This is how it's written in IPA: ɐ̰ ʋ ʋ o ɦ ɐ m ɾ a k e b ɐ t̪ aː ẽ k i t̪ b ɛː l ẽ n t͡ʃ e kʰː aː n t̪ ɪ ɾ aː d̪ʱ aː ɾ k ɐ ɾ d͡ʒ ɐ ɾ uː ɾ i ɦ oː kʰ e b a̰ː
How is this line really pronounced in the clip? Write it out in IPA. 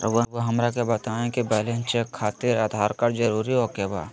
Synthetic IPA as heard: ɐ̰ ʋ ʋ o ɦ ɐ m ɾ a k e b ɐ t̪ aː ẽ k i b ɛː l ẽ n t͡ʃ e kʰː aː t̪ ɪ ɾ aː d̪ʱ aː ɾ k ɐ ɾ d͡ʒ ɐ ɾ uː ɾ i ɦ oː k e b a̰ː